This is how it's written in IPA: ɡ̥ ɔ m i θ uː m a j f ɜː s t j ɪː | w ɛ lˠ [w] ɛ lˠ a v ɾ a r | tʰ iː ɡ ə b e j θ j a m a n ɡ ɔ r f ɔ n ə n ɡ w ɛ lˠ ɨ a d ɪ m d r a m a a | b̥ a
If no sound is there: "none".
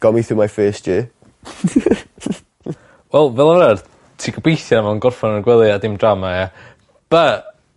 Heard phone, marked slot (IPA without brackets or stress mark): v